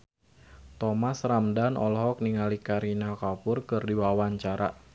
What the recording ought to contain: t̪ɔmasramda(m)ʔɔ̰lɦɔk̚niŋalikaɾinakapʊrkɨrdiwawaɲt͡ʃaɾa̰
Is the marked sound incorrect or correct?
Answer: incorrect